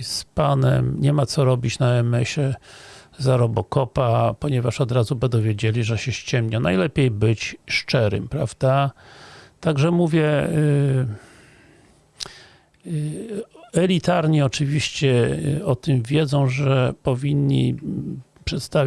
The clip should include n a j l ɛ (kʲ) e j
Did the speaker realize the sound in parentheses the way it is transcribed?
no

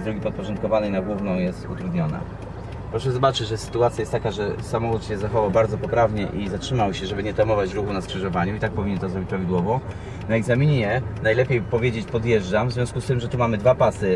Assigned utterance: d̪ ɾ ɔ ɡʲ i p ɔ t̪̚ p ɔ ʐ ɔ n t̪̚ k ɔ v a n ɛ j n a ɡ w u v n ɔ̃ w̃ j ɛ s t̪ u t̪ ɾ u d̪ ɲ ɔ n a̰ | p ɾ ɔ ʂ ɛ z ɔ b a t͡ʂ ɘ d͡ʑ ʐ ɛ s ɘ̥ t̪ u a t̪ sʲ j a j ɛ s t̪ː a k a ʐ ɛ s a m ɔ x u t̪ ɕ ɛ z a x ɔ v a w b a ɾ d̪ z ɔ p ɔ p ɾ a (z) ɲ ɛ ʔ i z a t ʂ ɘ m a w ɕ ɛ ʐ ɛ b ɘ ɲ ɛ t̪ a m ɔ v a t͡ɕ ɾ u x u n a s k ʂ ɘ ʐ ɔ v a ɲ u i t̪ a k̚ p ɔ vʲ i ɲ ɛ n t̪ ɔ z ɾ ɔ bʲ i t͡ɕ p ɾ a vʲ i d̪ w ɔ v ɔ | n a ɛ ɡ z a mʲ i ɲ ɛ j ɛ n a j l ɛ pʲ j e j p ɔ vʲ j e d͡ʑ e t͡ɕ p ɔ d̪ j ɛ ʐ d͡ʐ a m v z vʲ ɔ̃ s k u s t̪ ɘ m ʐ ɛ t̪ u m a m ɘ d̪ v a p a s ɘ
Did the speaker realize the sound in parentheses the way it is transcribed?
no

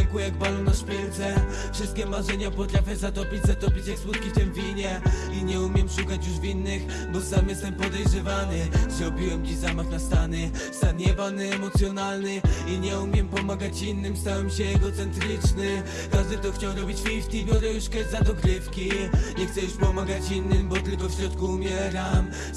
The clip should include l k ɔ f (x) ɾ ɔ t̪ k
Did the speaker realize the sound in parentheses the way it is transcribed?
no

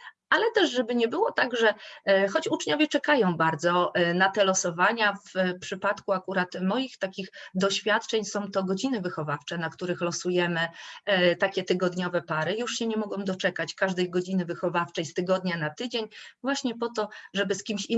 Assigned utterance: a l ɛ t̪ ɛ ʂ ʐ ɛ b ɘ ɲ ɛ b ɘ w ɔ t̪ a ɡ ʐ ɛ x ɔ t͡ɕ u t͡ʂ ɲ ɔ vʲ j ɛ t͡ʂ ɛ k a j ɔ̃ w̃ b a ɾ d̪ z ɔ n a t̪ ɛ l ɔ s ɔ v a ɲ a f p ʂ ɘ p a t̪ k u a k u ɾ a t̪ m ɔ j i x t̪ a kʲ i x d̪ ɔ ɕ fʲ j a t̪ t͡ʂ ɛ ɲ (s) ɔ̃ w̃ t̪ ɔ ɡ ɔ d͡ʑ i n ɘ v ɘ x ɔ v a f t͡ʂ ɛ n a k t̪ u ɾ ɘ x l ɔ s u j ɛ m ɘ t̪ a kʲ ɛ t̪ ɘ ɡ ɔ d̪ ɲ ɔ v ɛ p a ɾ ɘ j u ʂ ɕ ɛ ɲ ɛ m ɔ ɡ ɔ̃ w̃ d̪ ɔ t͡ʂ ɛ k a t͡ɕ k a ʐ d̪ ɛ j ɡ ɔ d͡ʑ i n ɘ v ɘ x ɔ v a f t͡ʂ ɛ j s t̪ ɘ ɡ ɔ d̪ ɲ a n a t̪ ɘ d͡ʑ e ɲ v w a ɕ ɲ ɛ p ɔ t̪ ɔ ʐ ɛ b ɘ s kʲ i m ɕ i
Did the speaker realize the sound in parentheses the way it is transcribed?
yes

